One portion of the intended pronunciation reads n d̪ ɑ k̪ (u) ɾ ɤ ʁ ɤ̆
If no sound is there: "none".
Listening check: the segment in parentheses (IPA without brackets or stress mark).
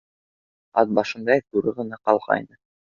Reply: u